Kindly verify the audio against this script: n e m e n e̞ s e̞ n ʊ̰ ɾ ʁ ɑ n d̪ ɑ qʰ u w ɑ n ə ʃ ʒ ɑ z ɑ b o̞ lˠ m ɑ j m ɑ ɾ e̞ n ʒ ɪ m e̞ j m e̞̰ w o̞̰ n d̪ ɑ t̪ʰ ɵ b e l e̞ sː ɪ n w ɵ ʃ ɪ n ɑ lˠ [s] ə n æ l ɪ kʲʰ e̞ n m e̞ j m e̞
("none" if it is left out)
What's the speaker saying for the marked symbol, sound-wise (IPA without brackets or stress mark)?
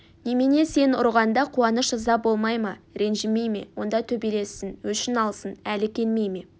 s